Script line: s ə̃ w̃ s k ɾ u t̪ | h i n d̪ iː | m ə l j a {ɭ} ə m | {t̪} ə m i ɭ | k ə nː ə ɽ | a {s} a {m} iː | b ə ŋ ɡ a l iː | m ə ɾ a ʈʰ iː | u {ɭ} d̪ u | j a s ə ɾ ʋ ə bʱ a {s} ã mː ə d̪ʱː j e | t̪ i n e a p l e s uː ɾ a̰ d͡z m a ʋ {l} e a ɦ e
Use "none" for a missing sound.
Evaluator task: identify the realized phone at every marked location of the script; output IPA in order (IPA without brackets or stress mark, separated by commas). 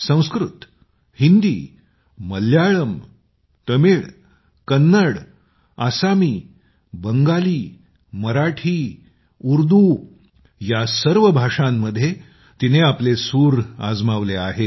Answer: ɭ, t̪, s, m, ɾ, ʂ, l